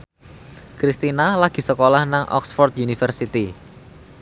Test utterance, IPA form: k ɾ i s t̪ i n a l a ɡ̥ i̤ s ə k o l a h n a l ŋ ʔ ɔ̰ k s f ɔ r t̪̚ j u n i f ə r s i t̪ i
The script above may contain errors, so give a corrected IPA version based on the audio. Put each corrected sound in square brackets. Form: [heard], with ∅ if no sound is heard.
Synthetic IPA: k ɾ i s t̪ i n a l a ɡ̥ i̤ s ə k o l a h n a [∅] ŋ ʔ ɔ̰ k s f ɔ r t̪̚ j u n i f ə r s i t̪ i